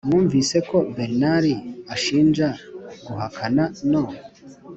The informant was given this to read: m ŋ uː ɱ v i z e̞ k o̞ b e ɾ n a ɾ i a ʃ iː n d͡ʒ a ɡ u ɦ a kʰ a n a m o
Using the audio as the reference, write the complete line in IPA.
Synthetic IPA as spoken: m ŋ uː ɱ v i s e̞ k o̞ b e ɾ n a ɾ i a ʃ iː n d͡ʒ a ɡ u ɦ a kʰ a n a n o